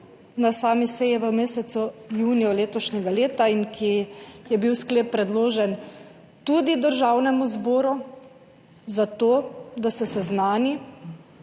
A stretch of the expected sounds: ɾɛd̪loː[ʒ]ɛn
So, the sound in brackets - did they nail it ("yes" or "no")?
yes